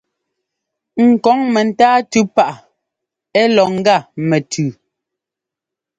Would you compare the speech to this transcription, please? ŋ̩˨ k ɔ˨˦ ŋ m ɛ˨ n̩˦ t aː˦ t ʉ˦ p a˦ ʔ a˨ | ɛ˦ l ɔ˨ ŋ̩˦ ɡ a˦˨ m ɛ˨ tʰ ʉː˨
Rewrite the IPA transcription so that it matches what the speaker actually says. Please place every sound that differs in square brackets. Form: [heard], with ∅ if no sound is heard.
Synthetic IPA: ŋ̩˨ k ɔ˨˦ ŋ m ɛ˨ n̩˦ t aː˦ t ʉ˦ p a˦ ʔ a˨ | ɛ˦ l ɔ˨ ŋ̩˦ ɡ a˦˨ m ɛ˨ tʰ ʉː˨

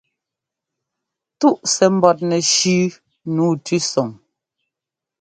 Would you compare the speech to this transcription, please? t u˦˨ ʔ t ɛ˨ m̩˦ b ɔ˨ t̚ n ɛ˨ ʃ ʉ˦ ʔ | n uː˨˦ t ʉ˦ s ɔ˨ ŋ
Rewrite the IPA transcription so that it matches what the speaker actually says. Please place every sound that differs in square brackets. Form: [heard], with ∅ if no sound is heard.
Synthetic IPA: t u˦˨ ʔ [s] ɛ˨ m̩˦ b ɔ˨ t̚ n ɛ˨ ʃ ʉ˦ [∅] | n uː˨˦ t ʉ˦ s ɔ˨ ŋ

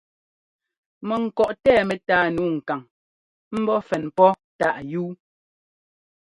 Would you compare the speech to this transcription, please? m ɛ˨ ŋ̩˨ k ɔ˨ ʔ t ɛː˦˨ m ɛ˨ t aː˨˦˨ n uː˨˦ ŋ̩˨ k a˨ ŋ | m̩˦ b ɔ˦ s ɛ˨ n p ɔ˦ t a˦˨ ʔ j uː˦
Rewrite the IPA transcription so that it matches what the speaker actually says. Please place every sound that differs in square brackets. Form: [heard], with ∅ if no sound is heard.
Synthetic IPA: m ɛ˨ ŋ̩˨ k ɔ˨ ʔ t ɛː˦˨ m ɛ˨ t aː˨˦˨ n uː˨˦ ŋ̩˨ k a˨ ŋ | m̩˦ b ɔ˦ [f] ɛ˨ n p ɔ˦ t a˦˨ ʔ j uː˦

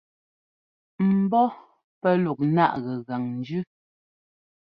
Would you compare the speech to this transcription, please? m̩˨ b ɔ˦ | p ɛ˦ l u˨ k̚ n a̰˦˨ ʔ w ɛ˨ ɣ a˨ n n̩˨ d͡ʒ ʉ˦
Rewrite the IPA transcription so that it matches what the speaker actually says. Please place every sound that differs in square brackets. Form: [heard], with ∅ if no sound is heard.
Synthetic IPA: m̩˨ b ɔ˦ | p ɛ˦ l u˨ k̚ n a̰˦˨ ʔ [ɣ] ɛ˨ ɣ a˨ [ŋ] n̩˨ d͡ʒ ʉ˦

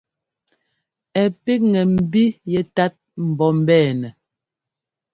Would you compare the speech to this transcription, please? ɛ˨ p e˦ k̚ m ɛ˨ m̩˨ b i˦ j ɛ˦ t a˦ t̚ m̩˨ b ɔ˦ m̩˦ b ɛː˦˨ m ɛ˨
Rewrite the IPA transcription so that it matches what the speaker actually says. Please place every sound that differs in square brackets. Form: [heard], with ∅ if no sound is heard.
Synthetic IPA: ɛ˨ p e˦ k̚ [ŋ] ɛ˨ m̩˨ b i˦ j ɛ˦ t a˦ t̚ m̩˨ b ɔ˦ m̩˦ b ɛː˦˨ [n] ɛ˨

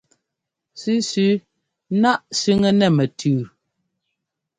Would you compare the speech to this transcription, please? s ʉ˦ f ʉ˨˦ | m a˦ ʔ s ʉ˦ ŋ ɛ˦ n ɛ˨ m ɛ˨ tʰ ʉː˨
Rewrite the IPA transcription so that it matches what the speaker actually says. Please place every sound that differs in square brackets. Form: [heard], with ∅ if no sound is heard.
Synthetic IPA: s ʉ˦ [s] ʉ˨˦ | [n] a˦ ʔ s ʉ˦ ŋ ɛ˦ n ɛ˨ m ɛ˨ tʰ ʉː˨

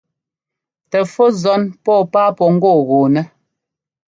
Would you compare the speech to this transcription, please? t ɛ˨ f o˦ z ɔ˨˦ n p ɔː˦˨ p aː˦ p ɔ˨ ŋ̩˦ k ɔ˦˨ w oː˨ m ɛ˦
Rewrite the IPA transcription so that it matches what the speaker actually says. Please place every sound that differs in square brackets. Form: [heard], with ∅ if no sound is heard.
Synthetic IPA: t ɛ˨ f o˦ z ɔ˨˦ n p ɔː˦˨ p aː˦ p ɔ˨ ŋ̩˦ [ɡ] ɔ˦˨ [ɣ] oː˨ [n] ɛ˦

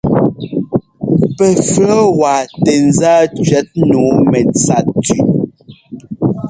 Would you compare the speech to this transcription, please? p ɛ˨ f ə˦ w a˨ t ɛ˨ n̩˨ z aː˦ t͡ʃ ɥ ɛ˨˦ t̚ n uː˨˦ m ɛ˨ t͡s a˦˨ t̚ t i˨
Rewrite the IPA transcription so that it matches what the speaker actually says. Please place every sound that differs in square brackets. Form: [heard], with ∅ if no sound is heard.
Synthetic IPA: p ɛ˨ f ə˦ w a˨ t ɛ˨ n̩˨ z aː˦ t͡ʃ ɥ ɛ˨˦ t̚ n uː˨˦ m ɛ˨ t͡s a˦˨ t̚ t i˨

